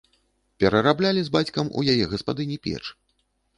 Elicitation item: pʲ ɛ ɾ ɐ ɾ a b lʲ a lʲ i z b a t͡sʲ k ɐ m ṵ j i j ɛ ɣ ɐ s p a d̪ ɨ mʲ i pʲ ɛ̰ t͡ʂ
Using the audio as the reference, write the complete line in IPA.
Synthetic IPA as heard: pʲ ɛ ɾ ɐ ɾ a b lʲ a lʲ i z b a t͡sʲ k ɐ m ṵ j a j ɛ ɣ ɐ s p a d̪ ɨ nʲ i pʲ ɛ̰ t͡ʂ